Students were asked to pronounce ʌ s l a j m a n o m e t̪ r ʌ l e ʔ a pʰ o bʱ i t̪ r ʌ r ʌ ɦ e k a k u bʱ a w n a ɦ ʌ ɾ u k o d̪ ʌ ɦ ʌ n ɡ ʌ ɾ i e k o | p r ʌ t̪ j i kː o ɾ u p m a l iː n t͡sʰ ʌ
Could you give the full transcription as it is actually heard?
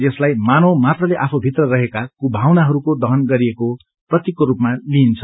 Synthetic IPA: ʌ s l a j m a n o m a t̪ r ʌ l e ʔ a pʰ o bʱ i t̪ r ʌ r ʌ ɦ e k a k u bʱ a w n a ɦ ʌ ɾ u k o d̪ ʌ ɦ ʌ n ɡ ʌ ɾ i e k o | p r ʌ t̪ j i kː o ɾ u p m a l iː n t͡sʰ ʌ